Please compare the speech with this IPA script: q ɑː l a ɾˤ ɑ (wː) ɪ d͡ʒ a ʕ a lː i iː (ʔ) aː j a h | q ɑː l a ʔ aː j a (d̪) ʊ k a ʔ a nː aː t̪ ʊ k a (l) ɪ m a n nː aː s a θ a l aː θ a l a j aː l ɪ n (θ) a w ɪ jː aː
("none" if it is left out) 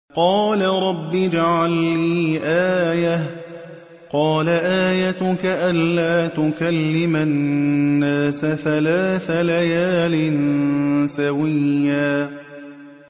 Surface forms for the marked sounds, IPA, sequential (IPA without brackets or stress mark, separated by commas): bː, ʔ, t̪, lː, s